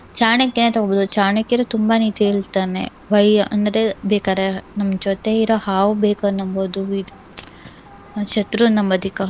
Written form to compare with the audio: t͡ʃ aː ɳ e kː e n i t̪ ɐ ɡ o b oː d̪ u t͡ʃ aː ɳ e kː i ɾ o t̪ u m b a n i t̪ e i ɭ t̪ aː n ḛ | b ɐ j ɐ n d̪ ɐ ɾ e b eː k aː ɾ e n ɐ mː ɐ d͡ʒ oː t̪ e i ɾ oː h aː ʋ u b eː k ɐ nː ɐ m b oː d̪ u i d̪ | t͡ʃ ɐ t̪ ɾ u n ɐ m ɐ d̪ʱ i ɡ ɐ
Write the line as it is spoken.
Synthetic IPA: t͡ʃ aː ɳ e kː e n e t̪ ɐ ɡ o b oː d̪ u t͡ʃ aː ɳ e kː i ɾ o t̪ u m b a n i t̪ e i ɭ t̪ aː n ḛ | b ɐ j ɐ n d̪ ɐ ɾ e b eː k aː ɾ e n ɐ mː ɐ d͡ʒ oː t̪ e i ɾ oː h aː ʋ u b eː k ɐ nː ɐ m b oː d̪ u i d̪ | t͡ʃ ɐ t̪ ɾ u n ɐ m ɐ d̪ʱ i k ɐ